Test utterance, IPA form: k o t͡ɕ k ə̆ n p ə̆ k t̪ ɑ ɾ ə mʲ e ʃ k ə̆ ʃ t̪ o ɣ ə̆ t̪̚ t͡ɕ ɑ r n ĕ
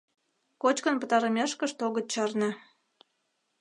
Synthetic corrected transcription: k o t͡ɕ k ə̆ n p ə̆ t̪ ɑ ɾ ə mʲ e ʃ k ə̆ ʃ t̪ o ɣ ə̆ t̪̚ t͡ɕ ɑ r n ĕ